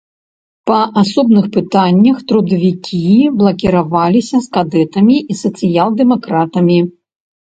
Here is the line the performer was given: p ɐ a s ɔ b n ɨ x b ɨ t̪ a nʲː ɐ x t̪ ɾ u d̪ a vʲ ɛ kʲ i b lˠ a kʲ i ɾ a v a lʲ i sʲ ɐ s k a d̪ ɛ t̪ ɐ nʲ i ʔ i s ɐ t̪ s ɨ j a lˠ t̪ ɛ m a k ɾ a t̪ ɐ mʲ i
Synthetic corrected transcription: p ɐ a s ɔ b n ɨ x p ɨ t̪ a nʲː ɐ x t̪ ɾ u d̪ ɐ vʲ i kʲ i b lˠ ɐ kʲ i ɾ a v a lʲ i sʲ ɐ s k a d̪ ɛ t̪ ɐ mʲ i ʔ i s ɐ t̪ s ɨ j a lˠ d̪ ɛ m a k ɾ a t̪ ɐ mʲ i